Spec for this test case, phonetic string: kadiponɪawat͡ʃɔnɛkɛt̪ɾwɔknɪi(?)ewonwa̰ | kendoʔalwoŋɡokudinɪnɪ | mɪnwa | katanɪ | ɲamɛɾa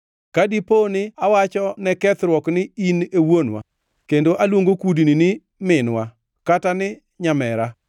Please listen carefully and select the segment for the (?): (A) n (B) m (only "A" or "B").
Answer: A